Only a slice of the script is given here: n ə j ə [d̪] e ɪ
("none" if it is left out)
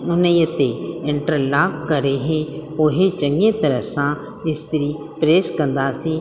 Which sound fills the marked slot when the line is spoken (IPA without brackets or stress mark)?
t̪